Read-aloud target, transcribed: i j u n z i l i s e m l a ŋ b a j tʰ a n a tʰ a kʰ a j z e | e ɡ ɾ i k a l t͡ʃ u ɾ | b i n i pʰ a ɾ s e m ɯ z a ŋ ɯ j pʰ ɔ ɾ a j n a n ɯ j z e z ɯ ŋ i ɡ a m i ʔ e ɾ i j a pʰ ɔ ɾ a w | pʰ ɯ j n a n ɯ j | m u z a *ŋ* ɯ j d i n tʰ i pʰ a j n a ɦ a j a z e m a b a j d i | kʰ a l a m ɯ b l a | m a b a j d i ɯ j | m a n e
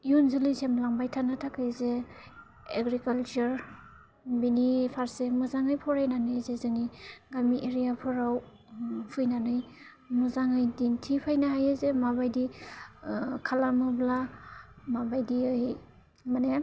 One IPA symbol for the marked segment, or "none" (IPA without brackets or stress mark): ŋ